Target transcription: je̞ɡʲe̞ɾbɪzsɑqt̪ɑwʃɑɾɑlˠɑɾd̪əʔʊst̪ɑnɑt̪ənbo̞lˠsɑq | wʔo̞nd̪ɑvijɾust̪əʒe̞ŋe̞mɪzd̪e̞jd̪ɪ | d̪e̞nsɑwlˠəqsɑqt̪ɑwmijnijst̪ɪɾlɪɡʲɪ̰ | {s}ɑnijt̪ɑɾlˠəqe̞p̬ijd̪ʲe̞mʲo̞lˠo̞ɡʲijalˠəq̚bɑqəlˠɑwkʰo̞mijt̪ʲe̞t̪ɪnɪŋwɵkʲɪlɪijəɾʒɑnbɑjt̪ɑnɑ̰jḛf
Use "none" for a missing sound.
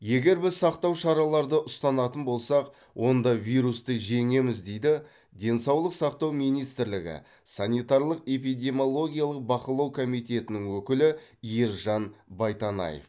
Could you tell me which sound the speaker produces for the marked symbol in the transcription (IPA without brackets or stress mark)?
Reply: s